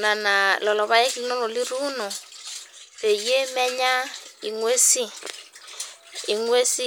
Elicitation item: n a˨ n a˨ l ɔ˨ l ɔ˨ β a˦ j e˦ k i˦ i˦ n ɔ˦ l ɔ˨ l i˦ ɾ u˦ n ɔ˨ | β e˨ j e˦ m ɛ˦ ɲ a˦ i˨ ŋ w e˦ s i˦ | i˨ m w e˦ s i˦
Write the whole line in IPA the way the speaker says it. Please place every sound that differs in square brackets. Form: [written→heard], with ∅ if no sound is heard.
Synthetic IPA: n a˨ n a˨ l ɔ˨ l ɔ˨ β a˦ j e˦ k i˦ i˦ n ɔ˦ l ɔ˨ l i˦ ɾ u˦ n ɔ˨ | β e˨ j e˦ m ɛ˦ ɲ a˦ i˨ ŋ w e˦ s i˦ | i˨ [m→ŋ] w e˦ s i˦